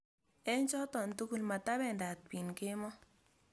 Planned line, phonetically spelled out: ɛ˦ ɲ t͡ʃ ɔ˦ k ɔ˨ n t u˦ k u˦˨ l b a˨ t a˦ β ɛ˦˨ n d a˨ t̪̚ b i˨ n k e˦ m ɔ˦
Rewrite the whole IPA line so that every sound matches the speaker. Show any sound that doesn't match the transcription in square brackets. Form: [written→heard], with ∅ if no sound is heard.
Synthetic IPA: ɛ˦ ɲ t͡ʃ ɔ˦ [k→t] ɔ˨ n t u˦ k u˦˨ l [b→m] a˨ t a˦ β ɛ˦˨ n d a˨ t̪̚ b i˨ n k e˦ m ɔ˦